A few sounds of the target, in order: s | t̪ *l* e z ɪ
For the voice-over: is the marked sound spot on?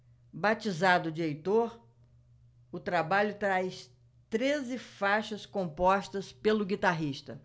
no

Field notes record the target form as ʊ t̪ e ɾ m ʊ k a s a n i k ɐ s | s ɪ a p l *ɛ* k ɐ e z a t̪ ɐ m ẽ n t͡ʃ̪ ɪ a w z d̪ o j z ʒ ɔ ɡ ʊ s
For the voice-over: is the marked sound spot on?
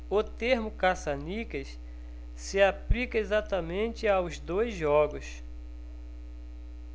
no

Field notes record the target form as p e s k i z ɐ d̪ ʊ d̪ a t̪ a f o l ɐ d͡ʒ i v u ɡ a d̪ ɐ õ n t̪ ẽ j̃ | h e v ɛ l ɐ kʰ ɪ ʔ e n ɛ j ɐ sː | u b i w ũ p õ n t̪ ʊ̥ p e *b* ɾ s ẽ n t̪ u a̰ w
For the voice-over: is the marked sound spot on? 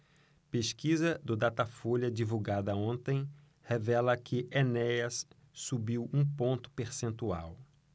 no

